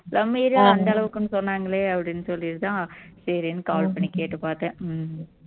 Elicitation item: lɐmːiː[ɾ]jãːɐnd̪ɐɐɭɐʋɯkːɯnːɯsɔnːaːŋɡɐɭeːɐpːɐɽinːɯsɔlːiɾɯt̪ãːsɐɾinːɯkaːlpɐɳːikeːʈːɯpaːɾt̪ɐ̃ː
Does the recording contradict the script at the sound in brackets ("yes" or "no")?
no